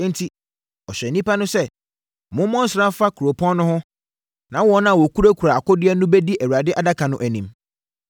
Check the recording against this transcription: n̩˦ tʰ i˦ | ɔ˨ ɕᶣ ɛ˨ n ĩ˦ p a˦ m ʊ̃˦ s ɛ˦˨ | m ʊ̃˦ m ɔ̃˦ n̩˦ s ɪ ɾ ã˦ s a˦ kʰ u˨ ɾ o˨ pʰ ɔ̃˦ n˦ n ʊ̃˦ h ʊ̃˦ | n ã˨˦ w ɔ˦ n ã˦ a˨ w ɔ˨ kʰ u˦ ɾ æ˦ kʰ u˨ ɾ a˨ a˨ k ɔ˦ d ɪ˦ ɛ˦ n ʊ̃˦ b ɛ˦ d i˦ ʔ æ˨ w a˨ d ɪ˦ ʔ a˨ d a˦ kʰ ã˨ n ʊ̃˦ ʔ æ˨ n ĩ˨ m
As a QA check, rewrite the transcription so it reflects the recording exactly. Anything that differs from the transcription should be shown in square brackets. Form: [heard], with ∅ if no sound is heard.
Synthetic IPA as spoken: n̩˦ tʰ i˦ | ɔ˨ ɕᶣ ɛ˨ n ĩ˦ p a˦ [n] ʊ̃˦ s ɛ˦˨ | m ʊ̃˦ m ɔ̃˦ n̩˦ s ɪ ɾ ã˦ [f] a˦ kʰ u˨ ɾ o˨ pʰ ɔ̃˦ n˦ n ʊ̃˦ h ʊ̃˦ | n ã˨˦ w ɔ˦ n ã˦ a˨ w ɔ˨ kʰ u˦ ɾ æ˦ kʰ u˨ ɾ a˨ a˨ k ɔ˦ d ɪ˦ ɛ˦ n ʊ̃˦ b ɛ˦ d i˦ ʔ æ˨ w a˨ d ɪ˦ ʔ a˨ d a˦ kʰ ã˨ n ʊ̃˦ ʔ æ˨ n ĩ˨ m

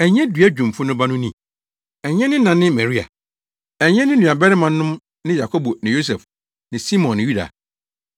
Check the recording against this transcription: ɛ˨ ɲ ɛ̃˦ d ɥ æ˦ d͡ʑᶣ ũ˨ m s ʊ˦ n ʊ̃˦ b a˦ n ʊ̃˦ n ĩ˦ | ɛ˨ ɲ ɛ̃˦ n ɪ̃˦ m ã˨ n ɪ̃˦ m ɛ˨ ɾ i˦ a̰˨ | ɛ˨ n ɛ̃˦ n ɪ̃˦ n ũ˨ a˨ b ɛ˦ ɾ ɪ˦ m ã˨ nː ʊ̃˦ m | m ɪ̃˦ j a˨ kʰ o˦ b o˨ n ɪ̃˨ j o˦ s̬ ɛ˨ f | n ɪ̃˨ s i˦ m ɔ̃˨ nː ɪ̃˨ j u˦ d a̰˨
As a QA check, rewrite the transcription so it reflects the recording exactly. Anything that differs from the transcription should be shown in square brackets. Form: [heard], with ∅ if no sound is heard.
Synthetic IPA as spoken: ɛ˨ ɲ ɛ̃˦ d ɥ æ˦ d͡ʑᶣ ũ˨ m [f] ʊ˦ n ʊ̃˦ b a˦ n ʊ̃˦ n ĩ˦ | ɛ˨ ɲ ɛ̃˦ n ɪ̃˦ [n] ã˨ n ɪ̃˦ m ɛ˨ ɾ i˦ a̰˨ | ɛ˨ [ɲ] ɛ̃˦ n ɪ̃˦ n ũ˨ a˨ b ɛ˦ ɾ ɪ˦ m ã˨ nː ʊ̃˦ m | [n] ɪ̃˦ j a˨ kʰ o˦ b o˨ n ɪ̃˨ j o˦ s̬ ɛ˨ f | n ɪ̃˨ s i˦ m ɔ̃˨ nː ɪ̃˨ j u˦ d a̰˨

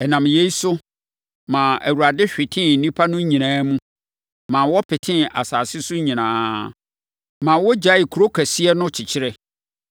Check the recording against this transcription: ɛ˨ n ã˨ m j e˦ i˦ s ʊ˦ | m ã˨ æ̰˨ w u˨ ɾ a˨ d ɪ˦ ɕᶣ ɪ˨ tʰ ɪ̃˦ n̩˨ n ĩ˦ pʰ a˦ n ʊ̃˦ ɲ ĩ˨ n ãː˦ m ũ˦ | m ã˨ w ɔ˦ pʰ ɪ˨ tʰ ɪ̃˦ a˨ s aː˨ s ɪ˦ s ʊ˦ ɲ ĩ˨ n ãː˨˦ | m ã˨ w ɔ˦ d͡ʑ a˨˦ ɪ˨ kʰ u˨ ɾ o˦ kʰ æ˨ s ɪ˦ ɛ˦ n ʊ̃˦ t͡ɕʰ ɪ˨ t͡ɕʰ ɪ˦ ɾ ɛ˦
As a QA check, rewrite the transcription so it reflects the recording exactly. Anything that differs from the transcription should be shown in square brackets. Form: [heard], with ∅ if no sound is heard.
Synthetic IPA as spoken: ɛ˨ n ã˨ m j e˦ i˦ s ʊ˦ | m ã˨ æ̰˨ w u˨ ɾ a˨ d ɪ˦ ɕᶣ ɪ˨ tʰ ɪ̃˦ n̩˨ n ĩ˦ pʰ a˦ n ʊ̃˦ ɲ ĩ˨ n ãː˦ m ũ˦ | m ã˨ w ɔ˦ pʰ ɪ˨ tʰ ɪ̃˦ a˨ s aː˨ s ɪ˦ s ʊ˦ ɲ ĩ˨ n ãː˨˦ | m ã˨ w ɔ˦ d͡ʑ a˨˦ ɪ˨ kʰ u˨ ɾ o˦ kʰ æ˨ s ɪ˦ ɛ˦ n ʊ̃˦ t͡ɕʰ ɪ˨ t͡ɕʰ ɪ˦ ɾ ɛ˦

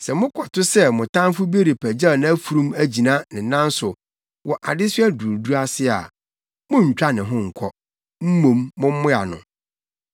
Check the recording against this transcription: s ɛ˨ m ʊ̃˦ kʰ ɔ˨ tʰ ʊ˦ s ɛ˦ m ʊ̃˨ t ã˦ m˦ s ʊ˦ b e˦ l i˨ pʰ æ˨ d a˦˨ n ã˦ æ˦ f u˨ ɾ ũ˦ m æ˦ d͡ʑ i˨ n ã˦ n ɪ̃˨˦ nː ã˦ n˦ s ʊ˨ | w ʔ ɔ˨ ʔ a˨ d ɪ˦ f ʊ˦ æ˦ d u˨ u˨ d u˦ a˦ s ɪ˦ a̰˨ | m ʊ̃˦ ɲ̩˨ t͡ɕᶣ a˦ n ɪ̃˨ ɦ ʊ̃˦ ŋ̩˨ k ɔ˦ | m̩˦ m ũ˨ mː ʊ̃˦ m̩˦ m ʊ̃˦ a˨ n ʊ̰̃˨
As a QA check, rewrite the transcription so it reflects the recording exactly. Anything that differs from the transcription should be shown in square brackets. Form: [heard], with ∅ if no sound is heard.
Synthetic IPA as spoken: s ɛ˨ m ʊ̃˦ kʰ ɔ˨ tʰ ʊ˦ s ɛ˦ m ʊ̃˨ t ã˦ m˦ [f] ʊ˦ b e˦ [ɾ] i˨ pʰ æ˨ [d͡ʑ] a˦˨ n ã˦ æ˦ f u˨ ɾ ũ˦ m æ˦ d͡ʑ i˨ n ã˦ n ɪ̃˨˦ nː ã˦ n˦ s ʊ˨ | w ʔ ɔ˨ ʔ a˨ d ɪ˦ [s] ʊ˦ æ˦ d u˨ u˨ d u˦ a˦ s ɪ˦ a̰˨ | m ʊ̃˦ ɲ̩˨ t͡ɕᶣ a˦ n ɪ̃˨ ɦ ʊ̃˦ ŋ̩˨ [kʰ] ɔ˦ | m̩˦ m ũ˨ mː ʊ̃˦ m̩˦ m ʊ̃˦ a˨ n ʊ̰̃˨

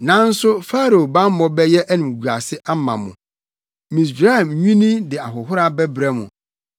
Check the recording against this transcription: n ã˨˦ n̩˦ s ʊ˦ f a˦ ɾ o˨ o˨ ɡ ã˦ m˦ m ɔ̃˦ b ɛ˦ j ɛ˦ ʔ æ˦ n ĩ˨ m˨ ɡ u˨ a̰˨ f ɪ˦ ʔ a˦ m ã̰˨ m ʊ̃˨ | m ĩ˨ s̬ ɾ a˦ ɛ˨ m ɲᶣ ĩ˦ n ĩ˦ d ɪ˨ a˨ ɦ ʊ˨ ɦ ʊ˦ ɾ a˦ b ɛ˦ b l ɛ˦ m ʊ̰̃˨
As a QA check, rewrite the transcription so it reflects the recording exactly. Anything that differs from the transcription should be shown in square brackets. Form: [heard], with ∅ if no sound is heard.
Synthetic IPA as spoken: n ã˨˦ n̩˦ s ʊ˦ f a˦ ɾ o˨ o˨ [b] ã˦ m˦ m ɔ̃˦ b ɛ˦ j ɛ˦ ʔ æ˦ n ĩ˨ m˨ ɡ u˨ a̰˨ [s] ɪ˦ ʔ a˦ m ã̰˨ m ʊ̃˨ | m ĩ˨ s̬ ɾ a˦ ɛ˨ m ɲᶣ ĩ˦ n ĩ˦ d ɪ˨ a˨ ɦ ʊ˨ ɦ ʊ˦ ɾ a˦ b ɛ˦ b [ɾ] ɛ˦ m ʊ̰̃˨

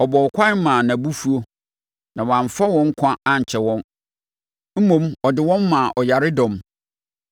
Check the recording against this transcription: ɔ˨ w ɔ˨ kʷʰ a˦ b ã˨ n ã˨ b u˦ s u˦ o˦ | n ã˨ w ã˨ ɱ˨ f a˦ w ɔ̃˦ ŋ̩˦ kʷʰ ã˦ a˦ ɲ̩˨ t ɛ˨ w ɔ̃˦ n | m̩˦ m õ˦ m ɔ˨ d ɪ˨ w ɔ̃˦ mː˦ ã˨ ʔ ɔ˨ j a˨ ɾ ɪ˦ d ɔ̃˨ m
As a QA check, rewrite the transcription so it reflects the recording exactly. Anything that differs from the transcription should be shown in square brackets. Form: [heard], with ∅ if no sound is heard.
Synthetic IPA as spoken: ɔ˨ [b] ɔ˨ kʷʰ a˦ [m] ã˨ n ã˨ b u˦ [f] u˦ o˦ | n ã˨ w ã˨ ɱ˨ f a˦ w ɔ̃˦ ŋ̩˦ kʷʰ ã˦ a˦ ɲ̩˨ [t͡ɕʰ] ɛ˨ w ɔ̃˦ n | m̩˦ m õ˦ m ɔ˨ d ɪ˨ w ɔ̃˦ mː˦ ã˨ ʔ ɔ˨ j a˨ ɾ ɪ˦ d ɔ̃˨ m

